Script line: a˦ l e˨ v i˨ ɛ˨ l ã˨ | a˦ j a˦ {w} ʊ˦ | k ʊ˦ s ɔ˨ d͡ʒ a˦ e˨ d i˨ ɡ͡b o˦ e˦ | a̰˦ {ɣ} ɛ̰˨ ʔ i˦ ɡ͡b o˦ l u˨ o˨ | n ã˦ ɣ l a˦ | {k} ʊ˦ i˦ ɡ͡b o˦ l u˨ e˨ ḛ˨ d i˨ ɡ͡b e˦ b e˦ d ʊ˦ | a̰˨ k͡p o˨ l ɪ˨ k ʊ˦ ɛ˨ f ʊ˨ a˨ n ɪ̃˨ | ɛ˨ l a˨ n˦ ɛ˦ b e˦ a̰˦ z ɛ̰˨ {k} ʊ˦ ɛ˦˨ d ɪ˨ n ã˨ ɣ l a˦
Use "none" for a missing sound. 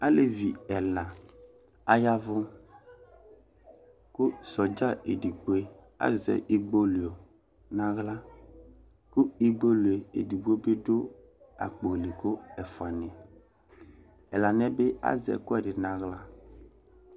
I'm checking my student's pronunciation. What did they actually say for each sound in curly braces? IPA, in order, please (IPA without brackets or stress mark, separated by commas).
v, z, k, k